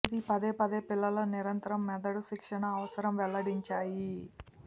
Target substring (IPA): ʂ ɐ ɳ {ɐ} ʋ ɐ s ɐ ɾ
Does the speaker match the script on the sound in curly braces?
no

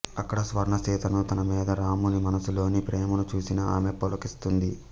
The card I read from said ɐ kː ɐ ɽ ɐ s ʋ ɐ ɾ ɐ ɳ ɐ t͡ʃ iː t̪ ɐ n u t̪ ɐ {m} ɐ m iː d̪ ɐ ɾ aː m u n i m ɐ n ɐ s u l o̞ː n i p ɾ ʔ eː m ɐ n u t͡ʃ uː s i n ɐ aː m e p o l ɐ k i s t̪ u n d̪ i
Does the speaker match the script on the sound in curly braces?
no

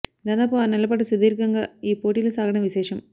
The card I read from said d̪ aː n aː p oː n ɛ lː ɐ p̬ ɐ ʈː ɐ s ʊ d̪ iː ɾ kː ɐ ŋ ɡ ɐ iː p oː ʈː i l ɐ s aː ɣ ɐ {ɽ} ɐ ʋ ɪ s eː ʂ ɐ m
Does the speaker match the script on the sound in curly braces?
yes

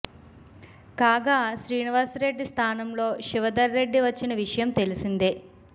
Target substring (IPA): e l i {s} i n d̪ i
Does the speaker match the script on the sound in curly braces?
yes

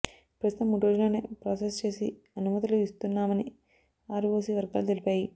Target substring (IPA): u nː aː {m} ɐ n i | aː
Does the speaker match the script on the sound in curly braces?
yes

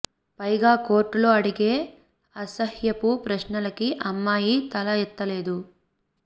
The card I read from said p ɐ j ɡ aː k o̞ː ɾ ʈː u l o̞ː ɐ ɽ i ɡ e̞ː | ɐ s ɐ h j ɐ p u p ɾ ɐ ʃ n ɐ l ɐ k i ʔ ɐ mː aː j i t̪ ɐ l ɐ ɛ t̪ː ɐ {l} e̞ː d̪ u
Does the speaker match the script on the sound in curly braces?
yes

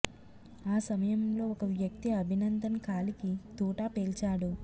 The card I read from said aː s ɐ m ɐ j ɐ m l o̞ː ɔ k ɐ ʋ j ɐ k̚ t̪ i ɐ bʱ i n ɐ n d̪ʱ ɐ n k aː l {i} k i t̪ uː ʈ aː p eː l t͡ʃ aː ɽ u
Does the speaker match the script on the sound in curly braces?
yes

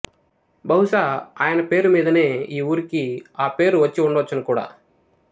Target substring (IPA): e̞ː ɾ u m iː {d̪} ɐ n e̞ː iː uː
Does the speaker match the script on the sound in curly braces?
yes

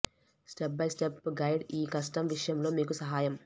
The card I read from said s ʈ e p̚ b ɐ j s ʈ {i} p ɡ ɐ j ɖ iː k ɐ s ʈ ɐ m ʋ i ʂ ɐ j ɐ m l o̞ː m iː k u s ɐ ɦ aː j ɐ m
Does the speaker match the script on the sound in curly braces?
no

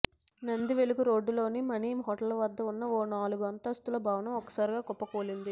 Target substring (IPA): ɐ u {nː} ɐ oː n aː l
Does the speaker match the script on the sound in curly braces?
yes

